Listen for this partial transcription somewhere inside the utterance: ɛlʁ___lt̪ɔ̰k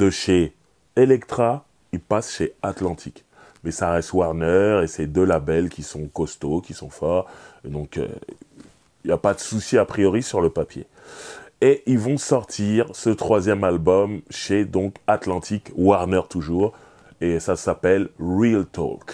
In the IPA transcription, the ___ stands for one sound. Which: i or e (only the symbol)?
i